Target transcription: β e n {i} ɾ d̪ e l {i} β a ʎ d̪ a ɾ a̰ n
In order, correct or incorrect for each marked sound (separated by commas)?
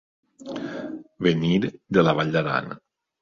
correct, incorrect